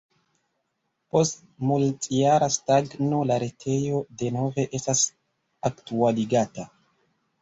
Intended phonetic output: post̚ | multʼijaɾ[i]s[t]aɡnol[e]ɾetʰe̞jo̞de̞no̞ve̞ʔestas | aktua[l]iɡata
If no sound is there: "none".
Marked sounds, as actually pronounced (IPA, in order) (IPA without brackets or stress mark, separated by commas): a, t, a, l